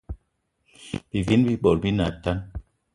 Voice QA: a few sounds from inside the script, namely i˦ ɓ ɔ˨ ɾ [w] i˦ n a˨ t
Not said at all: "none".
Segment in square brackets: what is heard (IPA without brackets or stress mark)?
b